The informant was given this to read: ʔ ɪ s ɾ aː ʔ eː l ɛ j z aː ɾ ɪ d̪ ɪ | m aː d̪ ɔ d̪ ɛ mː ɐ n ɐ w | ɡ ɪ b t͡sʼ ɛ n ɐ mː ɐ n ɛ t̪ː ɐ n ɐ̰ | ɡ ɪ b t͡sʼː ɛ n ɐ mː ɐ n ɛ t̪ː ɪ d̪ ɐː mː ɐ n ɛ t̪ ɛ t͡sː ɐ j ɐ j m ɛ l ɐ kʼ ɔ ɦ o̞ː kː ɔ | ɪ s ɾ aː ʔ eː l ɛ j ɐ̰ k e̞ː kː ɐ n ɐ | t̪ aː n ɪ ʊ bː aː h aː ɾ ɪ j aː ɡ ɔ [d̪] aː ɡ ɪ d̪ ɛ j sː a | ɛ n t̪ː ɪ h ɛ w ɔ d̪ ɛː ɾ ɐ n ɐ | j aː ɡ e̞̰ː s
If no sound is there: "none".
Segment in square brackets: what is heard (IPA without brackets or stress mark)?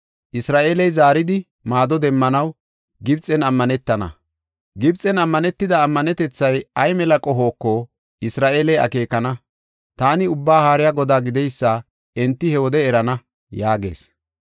d̪